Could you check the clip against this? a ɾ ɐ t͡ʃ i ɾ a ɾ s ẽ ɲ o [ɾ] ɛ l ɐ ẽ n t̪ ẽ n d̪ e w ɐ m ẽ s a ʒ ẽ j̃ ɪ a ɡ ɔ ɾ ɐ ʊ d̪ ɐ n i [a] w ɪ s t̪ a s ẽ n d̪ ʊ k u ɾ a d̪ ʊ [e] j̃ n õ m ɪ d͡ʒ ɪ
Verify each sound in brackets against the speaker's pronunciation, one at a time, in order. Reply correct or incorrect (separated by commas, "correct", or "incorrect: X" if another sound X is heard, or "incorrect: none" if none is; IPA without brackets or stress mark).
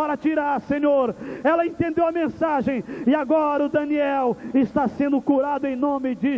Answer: correct, incorrect: ɛ, incorrect: ẽ